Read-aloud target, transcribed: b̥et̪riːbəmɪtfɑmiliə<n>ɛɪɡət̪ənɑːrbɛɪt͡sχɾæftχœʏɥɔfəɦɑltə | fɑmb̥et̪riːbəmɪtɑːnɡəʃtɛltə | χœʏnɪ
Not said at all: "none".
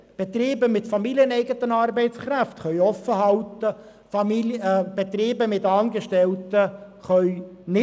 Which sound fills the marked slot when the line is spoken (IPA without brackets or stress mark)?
n